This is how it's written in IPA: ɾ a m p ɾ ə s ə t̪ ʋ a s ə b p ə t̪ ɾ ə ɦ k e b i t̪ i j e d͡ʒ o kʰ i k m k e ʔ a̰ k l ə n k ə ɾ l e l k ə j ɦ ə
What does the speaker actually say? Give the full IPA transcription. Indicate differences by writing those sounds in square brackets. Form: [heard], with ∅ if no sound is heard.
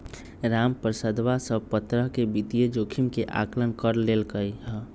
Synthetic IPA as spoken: ɾ a m p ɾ ə s ə [d̪] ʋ a s ə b p ə t̪ ɾ ə ɦ k e b i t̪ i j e d͡ʒ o kʰ i [∅] m k e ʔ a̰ k l ə n k ə ɾ l e l k ə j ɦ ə